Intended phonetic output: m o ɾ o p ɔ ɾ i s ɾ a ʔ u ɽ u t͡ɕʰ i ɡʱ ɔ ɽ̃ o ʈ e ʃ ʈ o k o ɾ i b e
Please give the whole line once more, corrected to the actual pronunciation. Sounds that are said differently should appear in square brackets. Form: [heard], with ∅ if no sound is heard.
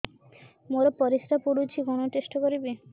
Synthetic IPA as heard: m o ɾ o p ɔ ɾ i s ɾ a [p] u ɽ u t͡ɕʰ i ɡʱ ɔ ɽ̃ o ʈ e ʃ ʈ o k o ɾ i b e

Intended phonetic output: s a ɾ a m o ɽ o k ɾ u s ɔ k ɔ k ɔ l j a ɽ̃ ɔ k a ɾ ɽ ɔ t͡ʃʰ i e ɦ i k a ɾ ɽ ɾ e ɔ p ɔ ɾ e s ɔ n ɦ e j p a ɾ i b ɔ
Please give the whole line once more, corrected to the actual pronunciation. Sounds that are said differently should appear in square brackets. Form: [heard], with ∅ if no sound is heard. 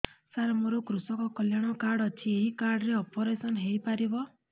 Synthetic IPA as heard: s a ɾ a m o [ɾ] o k ɾ u s ɔ k ɔ k ɔ l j a ɽ̃ ɔ k a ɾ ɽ ɔ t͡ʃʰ i e ɦ i k a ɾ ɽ ɾ e ɔ p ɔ ɾ e s ɔ n ɦ e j p a ɾ i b ɔ

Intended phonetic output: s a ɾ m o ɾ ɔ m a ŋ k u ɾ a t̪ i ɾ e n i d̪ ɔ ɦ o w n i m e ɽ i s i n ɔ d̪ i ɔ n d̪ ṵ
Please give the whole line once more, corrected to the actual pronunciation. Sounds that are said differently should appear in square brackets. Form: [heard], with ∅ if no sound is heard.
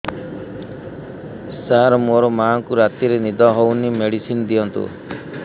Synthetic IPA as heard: s a ɾ m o ɾ ɔ m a ŋ k u ɾ a t̪ i ɾ e n i d̪ ɔ ɦ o w n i m e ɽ i s i n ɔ d̪ i ɔ n [t̪] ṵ

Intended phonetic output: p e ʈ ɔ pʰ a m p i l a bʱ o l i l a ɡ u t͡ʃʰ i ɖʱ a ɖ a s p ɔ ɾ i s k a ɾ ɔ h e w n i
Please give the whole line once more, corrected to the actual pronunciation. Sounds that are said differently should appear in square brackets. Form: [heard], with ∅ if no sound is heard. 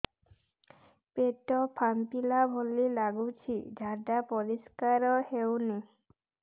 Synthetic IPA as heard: p e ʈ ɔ pʰ a m p i l a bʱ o l i l a ɡ u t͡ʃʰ i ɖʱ a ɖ a [∅] p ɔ ɾ i s k a ɾ ɔ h e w n i

